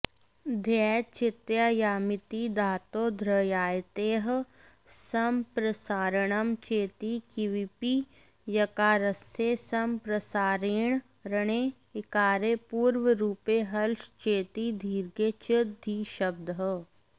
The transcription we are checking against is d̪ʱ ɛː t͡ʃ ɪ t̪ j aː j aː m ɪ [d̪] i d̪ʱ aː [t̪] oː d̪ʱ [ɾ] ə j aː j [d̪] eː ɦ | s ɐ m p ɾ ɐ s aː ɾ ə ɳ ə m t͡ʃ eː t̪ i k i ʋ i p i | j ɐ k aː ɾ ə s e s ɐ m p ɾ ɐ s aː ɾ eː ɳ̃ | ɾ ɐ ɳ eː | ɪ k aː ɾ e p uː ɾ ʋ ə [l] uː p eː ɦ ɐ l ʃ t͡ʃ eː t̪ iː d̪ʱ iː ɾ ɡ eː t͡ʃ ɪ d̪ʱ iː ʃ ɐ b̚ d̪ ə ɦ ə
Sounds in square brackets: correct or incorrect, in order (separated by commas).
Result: incorrect, correct, correct, incorrect, incorrect